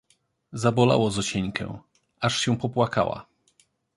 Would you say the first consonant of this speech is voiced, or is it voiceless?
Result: voiced